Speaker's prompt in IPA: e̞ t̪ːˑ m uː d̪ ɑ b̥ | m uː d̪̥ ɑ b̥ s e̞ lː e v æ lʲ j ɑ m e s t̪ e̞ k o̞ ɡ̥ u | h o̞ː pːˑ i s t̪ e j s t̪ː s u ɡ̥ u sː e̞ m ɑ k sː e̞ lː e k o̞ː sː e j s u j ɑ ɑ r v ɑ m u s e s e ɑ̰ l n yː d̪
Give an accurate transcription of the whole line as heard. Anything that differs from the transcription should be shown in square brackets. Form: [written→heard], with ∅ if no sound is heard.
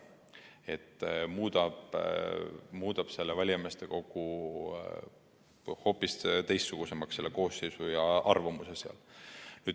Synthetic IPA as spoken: e̞ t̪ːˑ m uː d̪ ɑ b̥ | m uː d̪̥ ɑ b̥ s e̞ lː e v æ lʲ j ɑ m e s t̪ e̞ k o̞ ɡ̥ u | h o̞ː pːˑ i s t̪ e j s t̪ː s u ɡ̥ u [sː→s] e̞ m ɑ k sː e̞ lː e k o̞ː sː e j s u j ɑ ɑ r v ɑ m u s e s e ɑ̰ l n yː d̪

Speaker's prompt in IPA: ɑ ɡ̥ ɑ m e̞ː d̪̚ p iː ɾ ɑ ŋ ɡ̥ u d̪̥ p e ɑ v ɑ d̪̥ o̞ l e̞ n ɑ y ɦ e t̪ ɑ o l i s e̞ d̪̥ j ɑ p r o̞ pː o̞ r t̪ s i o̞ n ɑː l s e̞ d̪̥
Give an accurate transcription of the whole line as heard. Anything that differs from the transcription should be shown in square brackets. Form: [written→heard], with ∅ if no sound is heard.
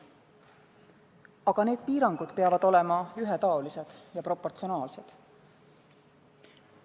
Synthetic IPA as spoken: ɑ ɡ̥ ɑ [m→n] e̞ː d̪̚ p iː ɾ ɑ ŋ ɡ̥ u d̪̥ p e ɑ v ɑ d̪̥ o̞ l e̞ [n→m] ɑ y ɦ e t̪ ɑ o l i s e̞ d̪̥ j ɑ p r o̞ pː o̞ r t̪ s i o̞ n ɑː l s e̞ d̪̥

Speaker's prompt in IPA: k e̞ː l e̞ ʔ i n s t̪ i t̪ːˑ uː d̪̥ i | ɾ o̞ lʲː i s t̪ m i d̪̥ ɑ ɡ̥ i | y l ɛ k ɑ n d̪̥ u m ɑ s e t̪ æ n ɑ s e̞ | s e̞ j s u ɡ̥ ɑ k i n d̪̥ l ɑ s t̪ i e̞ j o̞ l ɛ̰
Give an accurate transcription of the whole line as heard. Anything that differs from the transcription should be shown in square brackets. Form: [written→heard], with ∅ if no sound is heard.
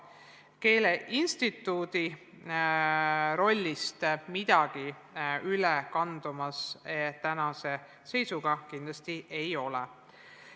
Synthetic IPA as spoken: k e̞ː l e̞ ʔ i n s t̪ i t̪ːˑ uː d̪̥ i | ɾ o̞ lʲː i s t̪ m i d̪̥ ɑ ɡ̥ i | y l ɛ k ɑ n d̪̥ u m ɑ s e t̪ æ n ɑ s e̞ | s e̞ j s u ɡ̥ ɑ k i n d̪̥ l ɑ s t̪ i e̞ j o̞ l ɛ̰

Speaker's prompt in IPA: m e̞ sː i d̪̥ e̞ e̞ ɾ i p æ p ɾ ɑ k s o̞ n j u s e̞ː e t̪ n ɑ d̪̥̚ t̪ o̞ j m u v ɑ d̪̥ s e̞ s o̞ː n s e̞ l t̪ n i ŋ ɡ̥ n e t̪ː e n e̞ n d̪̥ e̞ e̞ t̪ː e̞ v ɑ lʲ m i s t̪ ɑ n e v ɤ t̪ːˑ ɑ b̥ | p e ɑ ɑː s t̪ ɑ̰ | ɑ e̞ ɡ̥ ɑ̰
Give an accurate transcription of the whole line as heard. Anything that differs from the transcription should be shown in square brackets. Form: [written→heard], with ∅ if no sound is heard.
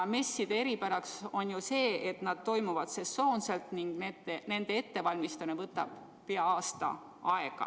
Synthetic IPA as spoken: m e̞ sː i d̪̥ e̞ e̞ ɾ i p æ [p→∅] ɾ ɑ k s o̞ n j u s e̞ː e t̪ n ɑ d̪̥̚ t̪ o̞ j m u v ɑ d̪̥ s e̞ s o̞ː n s e̞ l t̪ n i ŋ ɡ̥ n e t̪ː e n e̞ n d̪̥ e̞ e̞ t̪ː e̞ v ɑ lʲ m i s t̪ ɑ n e v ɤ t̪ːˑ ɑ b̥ | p e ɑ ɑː s t̪ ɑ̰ | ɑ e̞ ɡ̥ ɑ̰

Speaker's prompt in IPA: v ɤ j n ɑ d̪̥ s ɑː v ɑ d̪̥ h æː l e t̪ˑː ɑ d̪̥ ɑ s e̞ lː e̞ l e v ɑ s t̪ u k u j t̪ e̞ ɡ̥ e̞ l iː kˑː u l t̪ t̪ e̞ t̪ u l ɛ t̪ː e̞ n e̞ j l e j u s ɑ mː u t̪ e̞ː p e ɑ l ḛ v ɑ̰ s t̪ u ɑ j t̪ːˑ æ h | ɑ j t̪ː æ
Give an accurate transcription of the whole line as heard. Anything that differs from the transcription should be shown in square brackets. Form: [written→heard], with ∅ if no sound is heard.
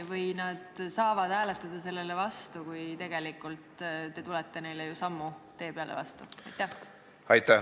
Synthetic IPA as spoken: v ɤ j n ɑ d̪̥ s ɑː v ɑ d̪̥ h æː l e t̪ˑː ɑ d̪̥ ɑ s e̞ lː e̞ l e v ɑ s t̪ u k u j t̪ e̞ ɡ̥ e̞ l [iː→i] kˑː u l t̪ t̪ e̞ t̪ u l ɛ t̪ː e̞ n e̞ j l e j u s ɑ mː u t̪ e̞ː p e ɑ l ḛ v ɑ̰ s t̪ u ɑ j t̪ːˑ æ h | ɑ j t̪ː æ

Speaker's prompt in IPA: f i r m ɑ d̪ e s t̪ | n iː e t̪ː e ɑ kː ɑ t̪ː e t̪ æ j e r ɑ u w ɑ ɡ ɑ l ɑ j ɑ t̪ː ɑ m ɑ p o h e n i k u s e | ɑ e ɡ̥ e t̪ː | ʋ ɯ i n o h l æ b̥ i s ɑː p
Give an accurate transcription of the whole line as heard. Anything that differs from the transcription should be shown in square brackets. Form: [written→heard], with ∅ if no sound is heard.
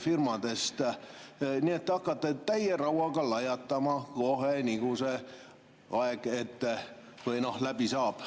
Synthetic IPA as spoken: f i r m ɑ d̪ e s t̪ | n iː e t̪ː e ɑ kː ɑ t̪ː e t̪ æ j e r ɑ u w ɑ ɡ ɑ l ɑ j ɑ t̪ː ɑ m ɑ [p→k] o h e n i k u s e | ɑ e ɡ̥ e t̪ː | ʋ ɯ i n o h l æ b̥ i s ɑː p

